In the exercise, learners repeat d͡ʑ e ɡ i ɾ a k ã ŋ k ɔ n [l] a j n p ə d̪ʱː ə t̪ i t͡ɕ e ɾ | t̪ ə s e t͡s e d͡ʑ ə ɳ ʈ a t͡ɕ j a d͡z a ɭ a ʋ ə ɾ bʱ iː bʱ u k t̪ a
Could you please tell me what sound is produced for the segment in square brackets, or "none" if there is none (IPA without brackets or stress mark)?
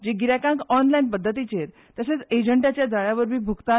l